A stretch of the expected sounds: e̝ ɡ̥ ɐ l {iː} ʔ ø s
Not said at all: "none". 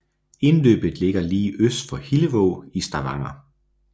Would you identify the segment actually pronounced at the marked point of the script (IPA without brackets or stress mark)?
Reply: iː